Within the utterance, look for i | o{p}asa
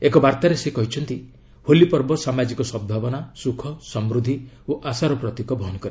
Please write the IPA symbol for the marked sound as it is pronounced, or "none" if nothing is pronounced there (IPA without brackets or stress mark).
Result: ʔ